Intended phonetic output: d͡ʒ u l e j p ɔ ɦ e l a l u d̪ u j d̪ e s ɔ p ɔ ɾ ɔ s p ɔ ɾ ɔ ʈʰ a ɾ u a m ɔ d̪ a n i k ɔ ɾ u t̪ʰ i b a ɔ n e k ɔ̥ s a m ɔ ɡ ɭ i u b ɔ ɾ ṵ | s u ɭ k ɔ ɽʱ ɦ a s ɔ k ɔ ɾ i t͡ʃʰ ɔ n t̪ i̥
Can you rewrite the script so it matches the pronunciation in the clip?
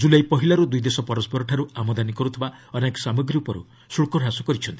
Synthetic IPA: d͡ʒ u l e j p ɔ ɦ i l a ɾ u d̪ u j d̪ e s ɔ p ɔ ɾ ɔ s p ɔ ɾ ɔ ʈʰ a ɾ u a m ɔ d̪ a n i k ɔ ɾ u t̪ʰ i b a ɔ n e k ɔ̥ s a m ɔ ɡ ɾ i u p ɔ ɾ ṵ | s u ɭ k ɔ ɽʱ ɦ a s ɔ k ɔ ɾ i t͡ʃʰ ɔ n t̪ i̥